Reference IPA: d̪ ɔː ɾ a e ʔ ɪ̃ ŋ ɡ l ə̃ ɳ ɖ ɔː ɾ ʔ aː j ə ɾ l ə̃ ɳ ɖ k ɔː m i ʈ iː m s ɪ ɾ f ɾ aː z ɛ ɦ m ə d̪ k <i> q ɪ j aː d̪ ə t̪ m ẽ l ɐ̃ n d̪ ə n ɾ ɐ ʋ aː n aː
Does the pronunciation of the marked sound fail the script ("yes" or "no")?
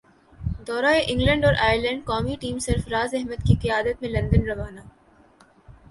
no